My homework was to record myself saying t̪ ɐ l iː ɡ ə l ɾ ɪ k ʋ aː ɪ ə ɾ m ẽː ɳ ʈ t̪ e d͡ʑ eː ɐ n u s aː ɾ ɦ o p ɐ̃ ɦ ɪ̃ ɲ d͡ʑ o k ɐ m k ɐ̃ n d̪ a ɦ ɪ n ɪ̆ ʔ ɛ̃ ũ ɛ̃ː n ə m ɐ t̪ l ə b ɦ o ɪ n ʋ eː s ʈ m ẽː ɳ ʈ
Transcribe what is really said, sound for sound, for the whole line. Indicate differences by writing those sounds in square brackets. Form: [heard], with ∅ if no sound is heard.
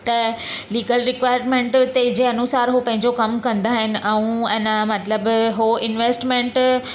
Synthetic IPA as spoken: t̪ ɐ l iː ɡ ə l ɾ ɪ k ʋ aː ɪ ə ɾ m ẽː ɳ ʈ t̪ e d͡ʑ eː ɐ n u s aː ɾ ɦ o p ɐ̃ ɦ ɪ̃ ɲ d͡ʑ o k ɐ m k ɐ̃ n d̪ a ɦ ɪ n ɪ̆ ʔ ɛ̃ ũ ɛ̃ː n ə m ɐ t̪ l ə b ɦ o ɪ n ʋ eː s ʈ m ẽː ɳ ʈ